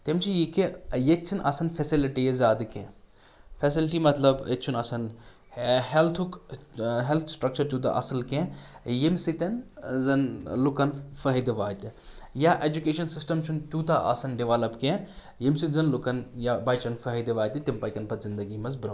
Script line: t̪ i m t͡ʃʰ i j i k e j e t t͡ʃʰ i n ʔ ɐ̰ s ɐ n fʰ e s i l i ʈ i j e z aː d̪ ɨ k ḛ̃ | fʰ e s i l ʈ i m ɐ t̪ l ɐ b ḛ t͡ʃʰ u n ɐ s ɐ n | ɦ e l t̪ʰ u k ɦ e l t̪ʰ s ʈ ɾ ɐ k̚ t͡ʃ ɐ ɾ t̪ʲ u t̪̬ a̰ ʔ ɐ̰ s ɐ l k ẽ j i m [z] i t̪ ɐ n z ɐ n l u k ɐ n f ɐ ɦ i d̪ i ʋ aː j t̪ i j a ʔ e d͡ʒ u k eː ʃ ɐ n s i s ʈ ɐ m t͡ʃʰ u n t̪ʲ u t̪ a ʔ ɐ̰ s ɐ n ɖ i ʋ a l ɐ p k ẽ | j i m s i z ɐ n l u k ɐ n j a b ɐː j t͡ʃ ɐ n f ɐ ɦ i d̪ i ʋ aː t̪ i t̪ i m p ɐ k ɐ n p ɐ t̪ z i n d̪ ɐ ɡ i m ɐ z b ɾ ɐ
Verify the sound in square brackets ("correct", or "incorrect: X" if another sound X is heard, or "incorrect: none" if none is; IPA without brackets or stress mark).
incorrect: s